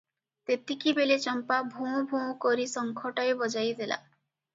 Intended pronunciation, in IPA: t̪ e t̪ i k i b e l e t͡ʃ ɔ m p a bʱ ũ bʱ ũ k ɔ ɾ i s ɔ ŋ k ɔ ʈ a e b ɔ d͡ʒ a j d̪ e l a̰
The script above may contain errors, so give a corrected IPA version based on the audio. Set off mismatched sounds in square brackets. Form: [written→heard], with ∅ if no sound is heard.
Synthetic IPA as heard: t̪ e t̪ i k i b e l e t͡ʃ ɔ m p a bʱ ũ bʱ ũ k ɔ ɾ i s ɔ ŋ [k→kʰ] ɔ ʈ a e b ɔ d͡ʒ a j d̪ e l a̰